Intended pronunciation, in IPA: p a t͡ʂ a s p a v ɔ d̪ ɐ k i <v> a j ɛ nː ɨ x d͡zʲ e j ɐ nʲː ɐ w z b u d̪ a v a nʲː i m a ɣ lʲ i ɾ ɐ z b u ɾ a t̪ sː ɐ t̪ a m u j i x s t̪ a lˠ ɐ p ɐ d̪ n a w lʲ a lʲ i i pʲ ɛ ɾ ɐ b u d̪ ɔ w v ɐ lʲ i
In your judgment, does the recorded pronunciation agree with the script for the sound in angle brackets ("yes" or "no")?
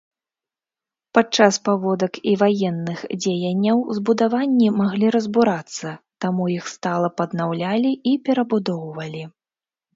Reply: yes